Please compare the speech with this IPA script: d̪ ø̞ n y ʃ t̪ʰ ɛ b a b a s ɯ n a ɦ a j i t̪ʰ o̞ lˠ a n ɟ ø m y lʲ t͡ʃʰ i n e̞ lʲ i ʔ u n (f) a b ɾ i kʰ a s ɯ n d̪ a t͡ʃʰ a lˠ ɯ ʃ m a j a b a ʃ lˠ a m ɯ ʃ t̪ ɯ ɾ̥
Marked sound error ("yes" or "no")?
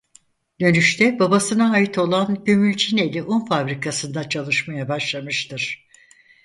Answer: no